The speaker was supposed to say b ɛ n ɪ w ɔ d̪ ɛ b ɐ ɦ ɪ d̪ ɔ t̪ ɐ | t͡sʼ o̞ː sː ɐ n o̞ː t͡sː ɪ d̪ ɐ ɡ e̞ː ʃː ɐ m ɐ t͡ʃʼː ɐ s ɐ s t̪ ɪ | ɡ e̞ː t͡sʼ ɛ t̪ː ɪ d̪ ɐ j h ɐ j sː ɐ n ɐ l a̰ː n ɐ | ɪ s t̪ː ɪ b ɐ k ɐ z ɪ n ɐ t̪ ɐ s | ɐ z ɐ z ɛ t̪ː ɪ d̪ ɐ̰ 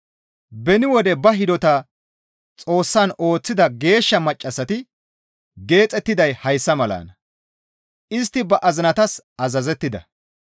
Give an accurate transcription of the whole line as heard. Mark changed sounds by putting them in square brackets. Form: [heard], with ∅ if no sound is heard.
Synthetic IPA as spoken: b ɛ n ɪ w ɔ d̪ ɛ b ɐ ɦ ɪ d̪ ɔ t̪ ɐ | t͡sʼ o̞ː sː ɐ n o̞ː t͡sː ɪ d̪ ɐ ɡ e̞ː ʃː ɐ m ɐ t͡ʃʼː ɐ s ɐ [∅] t̪ ɪ | ɡ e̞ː t͡sʼ ɛ t̪ː ɪ d̪ ɐ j h ɐ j sː ɐ [m] ɐ l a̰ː n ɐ | ɪ s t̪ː ɪ b ɐ [ʔ] ɐ z ɪ n ɐ t̪ ɐ s | ɐ z ɐ z ɛ t̪ː ɪ d̪ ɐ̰

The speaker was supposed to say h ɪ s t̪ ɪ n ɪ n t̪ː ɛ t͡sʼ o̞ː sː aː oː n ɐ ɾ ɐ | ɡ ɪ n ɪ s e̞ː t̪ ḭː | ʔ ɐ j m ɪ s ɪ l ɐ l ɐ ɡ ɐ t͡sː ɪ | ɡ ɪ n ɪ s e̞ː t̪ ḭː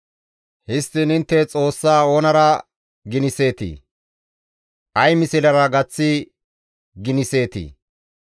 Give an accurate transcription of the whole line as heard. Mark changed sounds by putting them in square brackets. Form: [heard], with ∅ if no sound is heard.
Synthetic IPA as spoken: h ɪ s t̪ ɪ n ɪ n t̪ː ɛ t͡sʼ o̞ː sː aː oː n ɐ ɾ ɐ | ɡ ɪ n ɪ s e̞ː t̪ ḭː | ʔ ɐ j m ɪ s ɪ l ɐ [ɾ] ɐ ɡ ɐ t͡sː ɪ | ɡ ɪ n ɪ s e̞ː t̪ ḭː

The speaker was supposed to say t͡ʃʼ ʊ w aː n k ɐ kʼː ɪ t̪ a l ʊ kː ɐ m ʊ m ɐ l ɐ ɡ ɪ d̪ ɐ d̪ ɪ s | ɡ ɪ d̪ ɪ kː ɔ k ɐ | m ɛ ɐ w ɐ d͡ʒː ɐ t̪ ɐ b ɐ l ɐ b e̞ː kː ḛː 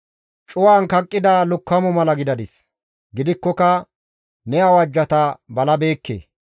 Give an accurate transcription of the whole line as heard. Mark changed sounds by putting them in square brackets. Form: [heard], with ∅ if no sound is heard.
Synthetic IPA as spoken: t͡ʃʼ ʊ w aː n k ɐ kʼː ɪ [d̪] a l ʊ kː ɐ m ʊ m ɐ l ɐ ɡ ɪ d̪ ɐ d̪ ɪ s | ɡ ɪ d̪ ɪ kː ɔ k ɐ | [n] ɛ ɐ w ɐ d͡ʒː ɐ t̪ ɐ b ɐ l ɐ b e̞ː kː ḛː

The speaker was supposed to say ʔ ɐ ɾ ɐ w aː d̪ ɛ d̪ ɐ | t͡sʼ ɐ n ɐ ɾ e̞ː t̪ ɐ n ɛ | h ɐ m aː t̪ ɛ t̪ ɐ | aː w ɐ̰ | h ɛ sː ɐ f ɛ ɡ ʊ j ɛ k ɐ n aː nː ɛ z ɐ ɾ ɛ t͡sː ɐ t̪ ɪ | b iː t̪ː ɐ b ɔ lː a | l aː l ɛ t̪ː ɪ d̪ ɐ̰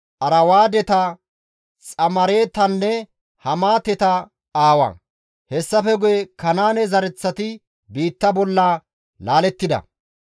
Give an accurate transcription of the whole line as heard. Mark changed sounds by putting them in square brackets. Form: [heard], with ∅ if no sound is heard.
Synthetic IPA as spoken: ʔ ɐ ɾ ɐ w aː d̪ ɛ [t̪] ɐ | t͡sʼ ɐ [m] ɐ ɾ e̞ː t̪ ɐ [nː] ɛ | h ɐ m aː t̪ ɛ t̪ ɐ | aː w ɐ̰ | h ɛ sː ɐ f ɛ ɡ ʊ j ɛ k ɐ n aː [n] ɛ z ɐ ɾ ɛ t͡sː ɐ t̪ ɪ | b iː t̪ː ɐ b ɔ lː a | l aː l ɛ t̪ː ɪ d̪ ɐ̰

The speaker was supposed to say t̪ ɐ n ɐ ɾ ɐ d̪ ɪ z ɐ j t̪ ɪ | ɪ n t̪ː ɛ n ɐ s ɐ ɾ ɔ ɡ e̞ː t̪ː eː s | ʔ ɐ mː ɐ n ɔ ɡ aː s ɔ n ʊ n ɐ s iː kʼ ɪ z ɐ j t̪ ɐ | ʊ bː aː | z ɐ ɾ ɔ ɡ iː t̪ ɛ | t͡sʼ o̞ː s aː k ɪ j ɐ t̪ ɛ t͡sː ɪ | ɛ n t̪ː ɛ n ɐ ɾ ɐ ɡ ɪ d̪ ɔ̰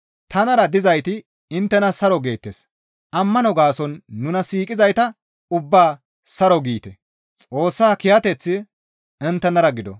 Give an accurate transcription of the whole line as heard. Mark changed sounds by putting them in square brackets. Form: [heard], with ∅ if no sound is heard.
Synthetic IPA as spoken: t̪ ɐ n ɐ ɾ ɐ d̪ ɪ z ɐ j t̪ ɪ | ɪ n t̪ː ɛ n ɐ s ɐ ɾ ɔ ɡ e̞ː t̪ː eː s | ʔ ɐ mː ɐ n ɔ ɡ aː s ɔ [nː] ʊ n ɐ s iː kʼ ɪ z ɐ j t̪ ɐ | ʊ bː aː | [s] ɐ ɾ ɔ ɡ iː t̪ ɛ | t͡sʼ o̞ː [sː] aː k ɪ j ɐ t̪ ɛ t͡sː ɪ | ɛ n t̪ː ɛ n ɐ ɾ ɐ ɡ ɪ d̪ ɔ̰

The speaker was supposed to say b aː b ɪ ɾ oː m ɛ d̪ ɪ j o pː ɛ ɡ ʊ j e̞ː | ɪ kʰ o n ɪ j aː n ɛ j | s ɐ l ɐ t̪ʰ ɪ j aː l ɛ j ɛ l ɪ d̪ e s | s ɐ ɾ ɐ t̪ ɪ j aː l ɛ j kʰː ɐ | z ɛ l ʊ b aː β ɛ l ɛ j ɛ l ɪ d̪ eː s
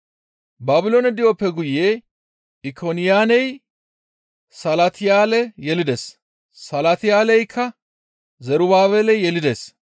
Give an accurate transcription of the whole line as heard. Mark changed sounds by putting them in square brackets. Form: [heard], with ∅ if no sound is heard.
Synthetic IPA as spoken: b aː b ɪ [l] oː [n] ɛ d̪ ɪ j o pː ɛ ɡ ʊ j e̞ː | ɪ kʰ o n ɪ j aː n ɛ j | s ɐ l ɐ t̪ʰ ɪ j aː l ɛ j ɛ l ɪ d̪ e s | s ɐ [l] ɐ t̪ ɪ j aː l ɛ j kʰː ɐ | z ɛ [ɾ] ʊ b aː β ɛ l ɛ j ɛ l ɪ d̪ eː s

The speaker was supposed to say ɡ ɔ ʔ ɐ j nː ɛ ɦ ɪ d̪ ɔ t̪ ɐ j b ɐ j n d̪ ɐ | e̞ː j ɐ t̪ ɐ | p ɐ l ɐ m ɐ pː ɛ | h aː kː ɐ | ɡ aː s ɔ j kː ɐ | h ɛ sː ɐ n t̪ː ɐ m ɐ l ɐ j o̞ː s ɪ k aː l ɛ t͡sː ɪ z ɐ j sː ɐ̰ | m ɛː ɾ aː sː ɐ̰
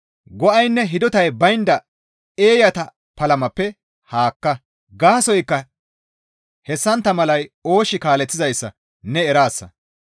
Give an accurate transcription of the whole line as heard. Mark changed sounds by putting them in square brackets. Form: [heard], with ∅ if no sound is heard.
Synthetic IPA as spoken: ɡ ɔ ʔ ɐ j nː ɛ ɦ ɪ d̪ ɔ t̪ ɐ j b ɐ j n d̪ ɐ | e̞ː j ɐ t̪ ɐ | p ɐ l ɐ m ɐ pː ɛ | h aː kː ɐ | ɡ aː s ɔ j kː ɐ | h ɛ sː ɐ n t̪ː ɐ m ɐ l ɐ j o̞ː [ʃ] ɪ k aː l ɛ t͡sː ɪ z ɐ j sː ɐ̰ | [n] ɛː ɾ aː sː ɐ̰

